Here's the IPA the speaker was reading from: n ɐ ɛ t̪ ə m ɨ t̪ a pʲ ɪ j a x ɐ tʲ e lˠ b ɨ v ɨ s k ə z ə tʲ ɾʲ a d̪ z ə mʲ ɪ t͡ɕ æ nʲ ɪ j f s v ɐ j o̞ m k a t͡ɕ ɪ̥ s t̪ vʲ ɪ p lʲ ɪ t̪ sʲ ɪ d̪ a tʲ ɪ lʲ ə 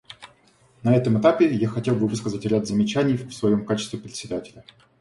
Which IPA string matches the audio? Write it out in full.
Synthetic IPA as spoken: n ɐ ɛ t̪ ə m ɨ t̪ a pʲ ɪ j a x ɐ tʲ e lˠ b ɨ v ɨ s k ə z ə tʲ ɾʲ a d̪ z ə mʲ ɪ t͡ɕ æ nʲ ɪ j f s v ɐ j o̞ m k a t͡ɕ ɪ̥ s t̪ vʲ ɪ p ɾʲ ɪ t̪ sʲ ɪ d̪ a tʲ ɪ lʲ ə

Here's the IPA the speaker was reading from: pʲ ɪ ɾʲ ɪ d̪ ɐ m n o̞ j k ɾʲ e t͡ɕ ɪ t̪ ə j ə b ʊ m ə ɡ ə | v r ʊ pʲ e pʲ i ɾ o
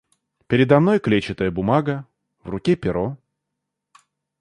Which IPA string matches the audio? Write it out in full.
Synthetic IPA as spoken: pʲ ɪ ɾʲ ɪ d̪ ɐ m n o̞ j k lʲ e t͡ɕ ɪ t̪ ə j ə b ʊ m a ɡ ə | v r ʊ kʲ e pʲ ɪ ɾ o

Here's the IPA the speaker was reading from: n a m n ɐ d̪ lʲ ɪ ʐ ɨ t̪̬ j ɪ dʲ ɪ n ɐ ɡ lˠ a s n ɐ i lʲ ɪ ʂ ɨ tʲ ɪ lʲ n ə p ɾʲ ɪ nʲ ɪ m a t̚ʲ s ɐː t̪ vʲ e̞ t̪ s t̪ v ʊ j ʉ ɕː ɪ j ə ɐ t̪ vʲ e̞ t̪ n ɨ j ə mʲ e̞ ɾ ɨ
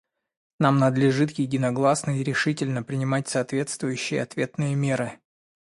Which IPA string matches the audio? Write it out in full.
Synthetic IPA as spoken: n a m n ə d̪ lʲ ɪ ʐ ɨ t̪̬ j ɪ dʲ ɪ n ɐ ɡ lˠ a s n ə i ɾʲ ɪ ʂ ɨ tʲ ɪ lʲ n ə p ɾʲ ɪ nʲ ɪ m a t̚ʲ s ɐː t̪ vʲ e̞ t̪ s t̪ v ʊ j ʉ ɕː ɪ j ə ɐ t̪ vʲ e̞ t̪ n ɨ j ə mʲ e̞ ɾ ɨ

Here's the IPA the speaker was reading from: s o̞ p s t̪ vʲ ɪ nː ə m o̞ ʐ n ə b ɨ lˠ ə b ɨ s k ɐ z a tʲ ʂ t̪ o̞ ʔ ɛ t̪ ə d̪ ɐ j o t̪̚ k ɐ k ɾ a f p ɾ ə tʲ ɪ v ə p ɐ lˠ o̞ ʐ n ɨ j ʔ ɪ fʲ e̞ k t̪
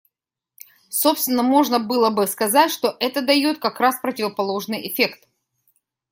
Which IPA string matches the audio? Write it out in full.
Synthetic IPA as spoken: s o̞ p s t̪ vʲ ɪ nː ə m o̞ ʐ n ə b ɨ lˠ ə b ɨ s k ɐ z a tʲ ʂ t̪ o̞ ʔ ɛ t̪ ə d̪ ɐ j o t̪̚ k ɐ k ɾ a s p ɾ ə tʲ ɪ v ə p ɐ lˠ o̞ ʐ n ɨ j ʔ ɪ fʲ e̞ k t̪

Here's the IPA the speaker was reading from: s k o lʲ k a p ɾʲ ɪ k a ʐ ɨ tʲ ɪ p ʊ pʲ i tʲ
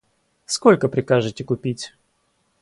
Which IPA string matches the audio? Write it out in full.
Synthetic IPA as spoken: s k o lʲ k ə p ɾʲ ɪ k a ʐ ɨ tʲ ɪ k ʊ pʲ i tʲ

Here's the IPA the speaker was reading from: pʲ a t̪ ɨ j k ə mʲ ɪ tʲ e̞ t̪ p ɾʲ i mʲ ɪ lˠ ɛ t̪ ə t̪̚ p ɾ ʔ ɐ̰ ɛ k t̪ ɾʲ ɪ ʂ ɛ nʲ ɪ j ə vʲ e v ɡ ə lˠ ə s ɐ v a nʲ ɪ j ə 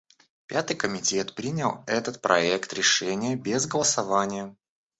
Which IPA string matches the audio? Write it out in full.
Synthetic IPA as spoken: pʲ a t̪ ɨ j k ə mʲ ɪ tʲ e̞ t̪ p ɾʲ i nʲ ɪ lˠ ɛ t̪ ə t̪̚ p ɾ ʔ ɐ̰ ɛ k t̪ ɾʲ ɪ ʂ ɛ nʲ ɪ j ə bʲ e z ɡ ə lˠ ə s ɐ v a nʲ ɪ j ə

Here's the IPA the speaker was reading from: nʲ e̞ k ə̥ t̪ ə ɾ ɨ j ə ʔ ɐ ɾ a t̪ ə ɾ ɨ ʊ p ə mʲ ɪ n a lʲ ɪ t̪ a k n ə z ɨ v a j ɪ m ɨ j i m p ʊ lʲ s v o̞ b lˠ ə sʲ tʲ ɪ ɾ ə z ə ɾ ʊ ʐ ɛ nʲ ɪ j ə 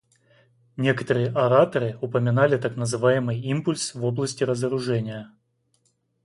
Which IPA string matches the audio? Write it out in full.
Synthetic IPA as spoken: nʲ e̞ k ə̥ t̪ ə ɾ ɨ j ə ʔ ɐ ɾ a t̪ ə ɾ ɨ ʊ p ə mʲ ɪ n a lʲ ɪ t̪ a k n ə z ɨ v a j ɪ m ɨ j i m p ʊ lʲ s v o̞ b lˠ ə sʲ tʲ ɪ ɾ ə z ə ɾ ʊ ʐ ɛ nʲ ɪ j ə

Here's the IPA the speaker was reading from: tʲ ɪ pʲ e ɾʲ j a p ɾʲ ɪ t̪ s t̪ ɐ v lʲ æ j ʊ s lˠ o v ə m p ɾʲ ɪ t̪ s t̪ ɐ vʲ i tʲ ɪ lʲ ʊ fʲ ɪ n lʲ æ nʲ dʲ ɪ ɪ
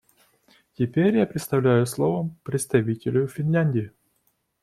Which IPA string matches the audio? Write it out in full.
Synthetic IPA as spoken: tʲ ɪ pʲ e ɾʲ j a p ɾʲ ɪ t̪ s t̪ ɐ v lʲ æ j ʊ s lˠ o v ə m p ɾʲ ɪ t̪ s t̪ ɐ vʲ i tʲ ɪ lʲ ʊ fʲ ɪ n lʲ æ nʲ dʲ ɪ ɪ

